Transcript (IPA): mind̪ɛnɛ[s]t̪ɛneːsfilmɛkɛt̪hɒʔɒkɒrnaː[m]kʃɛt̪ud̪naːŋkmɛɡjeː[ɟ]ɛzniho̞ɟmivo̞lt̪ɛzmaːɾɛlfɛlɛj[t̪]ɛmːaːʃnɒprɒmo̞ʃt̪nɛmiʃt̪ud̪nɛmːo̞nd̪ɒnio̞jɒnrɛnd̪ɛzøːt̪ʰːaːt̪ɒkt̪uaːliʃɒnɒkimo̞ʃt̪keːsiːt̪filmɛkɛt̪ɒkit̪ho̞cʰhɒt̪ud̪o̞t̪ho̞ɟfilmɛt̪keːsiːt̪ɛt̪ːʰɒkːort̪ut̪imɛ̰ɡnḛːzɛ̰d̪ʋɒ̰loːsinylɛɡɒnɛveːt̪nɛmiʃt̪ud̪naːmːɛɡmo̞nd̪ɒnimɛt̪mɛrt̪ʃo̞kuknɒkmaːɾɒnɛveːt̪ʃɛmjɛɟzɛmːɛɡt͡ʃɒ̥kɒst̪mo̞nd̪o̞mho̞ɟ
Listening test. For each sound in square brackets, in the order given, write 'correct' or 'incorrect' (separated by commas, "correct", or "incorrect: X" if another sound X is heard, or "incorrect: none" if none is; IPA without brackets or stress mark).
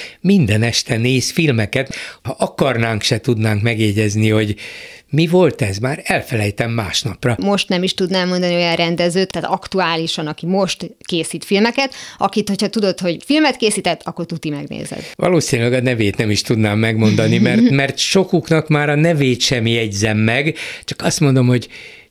incorrect: ʃ, incorrect: ŋ, correct, correct